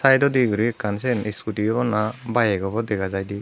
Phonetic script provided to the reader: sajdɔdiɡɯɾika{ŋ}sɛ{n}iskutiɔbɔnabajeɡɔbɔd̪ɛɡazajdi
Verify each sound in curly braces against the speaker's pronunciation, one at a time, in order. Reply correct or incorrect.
incorrect: n, correct

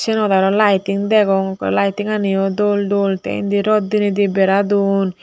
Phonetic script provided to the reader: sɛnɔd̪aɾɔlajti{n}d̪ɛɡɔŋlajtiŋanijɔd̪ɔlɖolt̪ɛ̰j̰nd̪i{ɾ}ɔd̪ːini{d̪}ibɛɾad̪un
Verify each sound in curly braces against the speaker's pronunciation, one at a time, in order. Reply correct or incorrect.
incorrect: ŋ, correct, correct

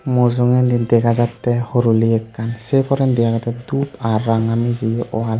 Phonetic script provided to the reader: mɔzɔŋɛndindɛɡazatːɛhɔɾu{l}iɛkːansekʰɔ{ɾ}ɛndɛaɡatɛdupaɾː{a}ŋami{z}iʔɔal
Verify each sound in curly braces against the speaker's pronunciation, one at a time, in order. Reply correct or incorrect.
correct, correct, correct, correct

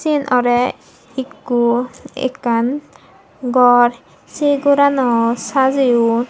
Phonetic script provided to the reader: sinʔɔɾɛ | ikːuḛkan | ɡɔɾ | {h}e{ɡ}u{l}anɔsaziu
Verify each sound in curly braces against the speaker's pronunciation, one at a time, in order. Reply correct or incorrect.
incorrect: s, correct, incorrect: ɾ

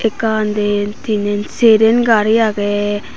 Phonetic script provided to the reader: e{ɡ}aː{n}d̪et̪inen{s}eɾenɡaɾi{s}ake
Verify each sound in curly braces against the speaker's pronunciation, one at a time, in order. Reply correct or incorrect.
incorrect: k, correct, correct, incorrect: none

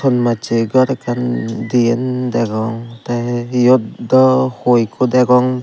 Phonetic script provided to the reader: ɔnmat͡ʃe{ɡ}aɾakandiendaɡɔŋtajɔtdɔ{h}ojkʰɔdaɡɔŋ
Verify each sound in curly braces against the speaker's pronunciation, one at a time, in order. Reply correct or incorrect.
correct, correct

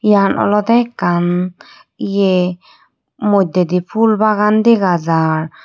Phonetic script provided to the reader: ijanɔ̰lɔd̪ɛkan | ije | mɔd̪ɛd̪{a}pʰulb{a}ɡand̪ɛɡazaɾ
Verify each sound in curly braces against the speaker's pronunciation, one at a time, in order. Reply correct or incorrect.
incorrect: i, correct

